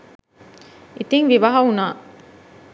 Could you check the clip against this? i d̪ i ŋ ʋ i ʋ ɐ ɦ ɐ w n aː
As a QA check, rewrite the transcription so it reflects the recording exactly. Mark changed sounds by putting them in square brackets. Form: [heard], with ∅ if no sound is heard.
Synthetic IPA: i [t̪] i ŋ ʋ i ʋ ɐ ɦ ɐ [u] n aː